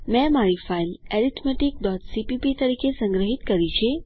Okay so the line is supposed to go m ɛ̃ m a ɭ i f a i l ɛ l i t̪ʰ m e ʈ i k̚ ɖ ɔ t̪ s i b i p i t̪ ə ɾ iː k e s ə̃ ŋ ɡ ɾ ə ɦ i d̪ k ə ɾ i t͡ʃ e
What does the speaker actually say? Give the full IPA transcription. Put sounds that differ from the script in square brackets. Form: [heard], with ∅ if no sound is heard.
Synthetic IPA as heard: m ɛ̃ m a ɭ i f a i l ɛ [ɾ] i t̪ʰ m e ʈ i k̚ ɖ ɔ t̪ s i [p] i p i t̪ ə ɾ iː k e s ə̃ ŋ ɡ ɾ ə ɦ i [t̪] k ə ɾ i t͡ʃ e